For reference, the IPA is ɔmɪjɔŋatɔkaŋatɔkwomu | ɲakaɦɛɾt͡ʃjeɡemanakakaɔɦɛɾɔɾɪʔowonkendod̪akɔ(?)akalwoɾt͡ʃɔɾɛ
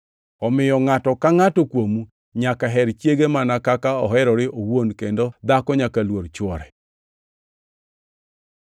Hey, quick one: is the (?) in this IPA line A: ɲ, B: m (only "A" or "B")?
A